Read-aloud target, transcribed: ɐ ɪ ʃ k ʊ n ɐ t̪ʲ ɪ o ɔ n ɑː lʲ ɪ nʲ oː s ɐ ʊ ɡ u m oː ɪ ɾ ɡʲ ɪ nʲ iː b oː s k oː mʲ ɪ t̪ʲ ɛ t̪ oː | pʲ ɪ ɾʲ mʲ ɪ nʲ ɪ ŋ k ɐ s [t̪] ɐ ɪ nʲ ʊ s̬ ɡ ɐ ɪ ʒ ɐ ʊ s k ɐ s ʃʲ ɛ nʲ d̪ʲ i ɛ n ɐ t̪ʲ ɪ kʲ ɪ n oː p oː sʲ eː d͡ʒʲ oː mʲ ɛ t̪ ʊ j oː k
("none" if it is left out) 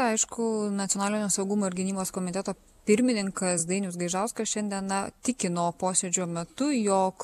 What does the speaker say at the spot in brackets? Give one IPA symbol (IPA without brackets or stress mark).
d̪